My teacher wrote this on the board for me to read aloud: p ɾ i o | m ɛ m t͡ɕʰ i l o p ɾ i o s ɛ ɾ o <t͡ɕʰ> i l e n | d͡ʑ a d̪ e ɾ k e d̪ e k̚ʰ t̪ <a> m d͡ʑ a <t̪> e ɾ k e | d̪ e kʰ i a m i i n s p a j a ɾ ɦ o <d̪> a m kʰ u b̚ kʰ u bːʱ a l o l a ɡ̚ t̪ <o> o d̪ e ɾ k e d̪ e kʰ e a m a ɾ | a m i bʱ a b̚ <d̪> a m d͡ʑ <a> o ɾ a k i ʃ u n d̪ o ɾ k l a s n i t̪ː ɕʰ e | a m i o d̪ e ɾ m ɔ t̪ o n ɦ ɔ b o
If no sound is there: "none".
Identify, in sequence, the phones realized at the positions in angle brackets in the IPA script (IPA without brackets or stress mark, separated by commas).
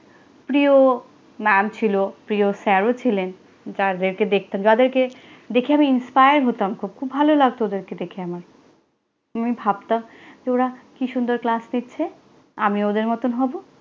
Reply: t͡ɕʰ, a, d̪, t̪, o, t̪, e